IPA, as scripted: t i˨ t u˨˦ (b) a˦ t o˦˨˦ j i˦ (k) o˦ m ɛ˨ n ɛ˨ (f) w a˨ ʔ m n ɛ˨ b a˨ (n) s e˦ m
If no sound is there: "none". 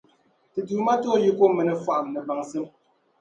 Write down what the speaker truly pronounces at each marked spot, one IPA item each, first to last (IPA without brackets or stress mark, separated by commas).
m, k, f, ŋ